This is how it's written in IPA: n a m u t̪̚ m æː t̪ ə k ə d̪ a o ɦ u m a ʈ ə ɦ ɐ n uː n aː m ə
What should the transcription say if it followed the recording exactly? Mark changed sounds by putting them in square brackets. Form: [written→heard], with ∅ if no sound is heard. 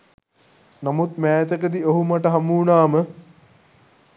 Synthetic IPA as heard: n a m u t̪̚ m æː t̪ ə k ə d̪ [a→i] o ɦ u m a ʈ ə ɦ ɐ [n→m] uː n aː m ə